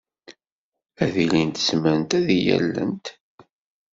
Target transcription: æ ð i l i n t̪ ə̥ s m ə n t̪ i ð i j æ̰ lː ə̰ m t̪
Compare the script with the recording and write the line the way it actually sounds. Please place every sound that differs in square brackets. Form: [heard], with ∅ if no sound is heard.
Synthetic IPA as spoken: æ ð i l i n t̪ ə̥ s m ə n t̪ [æ] ð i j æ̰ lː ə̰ [n] t̪